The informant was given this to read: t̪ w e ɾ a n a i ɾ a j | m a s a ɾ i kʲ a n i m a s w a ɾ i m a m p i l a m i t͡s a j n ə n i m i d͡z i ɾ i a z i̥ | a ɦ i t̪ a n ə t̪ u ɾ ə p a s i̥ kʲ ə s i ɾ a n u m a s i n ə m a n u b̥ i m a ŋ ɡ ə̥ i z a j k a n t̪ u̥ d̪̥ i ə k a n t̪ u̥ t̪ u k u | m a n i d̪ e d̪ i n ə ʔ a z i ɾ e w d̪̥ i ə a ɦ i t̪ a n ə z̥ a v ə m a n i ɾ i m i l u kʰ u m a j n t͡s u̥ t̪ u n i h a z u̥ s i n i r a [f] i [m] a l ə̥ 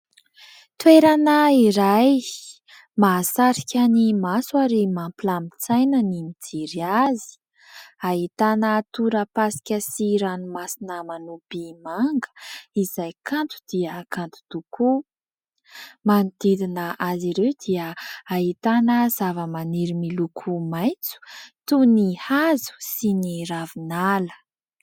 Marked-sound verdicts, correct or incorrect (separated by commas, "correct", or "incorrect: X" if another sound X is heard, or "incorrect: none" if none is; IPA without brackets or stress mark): incorrect: v, incorrect: n